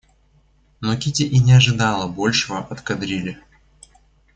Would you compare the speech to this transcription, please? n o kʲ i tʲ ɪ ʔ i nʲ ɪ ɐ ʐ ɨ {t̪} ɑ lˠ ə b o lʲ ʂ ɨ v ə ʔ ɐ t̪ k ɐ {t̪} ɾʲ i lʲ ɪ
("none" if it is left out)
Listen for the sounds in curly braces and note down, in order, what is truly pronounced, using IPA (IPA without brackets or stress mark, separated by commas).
d̪, d̪